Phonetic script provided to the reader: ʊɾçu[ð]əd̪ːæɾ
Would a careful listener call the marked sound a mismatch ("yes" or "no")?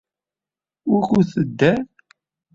yes